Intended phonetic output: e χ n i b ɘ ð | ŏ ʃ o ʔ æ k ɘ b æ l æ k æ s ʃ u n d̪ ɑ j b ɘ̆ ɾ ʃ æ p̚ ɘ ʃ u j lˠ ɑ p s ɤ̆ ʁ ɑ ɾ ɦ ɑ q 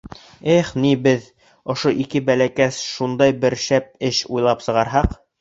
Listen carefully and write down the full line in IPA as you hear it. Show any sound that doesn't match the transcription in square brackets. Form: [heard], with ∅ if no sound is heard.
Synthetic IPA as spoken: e χ n i b ɘ ð | ŏ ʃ o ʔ [i] k ɘ b æ l æ k æ s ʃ u n d̪ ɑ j b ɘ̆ ɾ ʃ æ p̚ ɘ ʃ u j lˠ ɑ p s ɤ̆ ʁ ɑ ɾ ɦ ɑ q